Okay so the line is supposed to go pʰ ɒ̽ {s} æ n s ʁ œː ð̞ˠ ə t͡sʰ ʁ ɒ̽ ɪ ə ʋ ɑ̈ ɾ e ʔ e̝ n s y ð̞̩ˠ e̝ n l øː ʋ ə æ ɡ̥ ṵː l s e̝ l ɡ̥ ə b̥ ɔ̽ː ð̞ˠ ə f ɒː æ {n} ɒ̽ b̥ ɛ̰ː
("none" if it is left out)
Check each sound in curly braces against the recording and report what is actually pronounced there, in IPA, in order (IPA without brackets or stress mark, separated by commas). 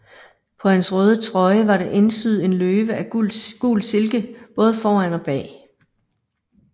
h, n